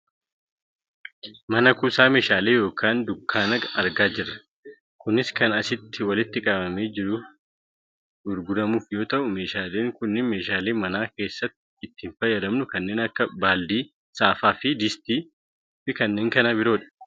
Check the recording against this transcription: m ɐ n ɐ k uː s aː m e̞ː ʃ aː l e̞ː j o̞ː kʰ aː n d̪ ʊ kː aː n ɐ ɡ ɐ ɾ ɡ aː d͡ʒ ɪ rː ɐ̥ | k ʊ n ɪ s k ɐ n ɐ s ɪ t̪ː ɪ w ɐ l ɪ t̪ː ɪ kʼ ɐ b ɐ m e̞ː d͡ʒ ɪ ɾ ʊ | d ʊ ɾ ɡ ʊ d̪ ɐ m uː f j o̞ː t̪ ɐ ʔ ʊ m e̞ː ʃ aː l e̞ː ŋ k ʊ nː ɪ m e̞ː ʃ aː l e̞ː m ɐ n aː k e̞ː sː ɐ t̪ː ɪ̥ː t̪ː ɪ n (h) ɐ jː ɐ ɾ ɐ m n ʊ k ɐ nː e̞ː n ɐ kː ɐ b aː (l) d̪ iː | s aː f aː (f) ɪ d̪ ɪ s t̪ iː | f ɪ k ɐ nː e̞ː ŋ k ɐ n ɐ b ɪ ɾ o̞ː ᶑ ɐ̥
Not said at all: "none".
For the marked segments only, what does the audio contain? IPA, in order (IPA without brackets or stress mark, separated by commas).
f, l, f